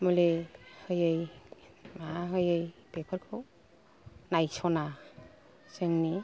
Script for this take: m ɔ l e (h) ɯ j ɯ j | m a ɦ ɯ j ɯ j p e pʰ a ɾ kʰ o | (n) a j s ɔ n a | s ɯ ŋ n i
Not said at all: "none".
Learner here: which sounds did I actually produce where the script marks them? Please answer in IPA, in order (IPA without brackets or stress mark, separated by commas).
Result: h, n